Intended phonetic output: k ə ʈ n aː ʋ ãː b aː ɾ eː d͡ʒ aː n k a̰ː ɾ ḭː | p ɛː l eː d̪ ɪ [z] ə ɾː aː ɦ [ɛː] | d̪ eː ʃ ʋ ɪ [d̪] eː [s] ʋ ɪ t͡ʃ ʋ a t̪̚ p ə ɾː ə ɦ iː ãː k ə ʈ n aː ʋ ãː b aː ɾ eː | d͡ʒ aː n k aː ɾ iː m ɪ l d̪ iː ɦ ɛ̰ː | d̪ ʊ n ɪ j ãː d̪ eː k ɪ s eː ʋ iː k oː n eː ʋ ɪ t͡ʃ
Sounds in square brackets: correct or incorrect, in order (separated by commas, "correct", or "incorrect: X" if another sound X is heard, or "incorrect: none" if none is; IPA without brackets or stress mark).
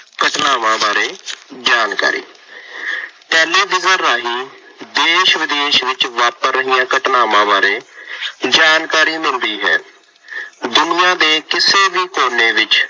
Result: correct, incorrect: iː, correct, incorrect: ʃ